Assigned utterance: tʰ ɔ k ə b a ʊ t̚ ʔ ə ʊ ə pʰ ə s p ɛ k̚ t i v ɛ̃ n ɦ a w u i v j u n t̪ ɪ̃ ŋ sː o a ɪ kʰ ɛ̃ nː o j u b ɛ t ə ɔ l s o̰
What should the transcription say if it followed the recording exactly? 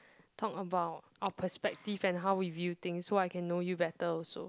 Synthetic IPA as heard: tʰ ɔ k ə b a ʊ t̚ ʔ a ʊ ə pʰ ə s p ɛ k̚ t i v ɛ̃ n ɦ a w w i v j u t̪ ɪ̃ ŋ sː o a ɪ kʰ ɛ̃ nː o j u b ɛ t ə ɔ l s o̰